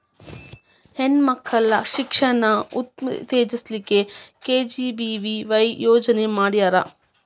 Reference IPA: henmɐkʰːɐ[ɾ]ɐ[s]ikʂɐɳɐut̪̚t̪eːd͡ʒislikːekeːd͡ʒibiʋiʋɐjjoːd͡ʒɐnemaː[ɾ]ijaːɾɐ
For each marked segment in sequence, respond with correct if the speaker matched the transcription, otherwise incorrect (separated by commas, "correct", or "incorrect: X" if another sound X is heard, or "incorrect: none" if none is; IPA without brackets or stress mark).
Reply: incorrect: l, incorrect: ʃ, incorrect: ɽ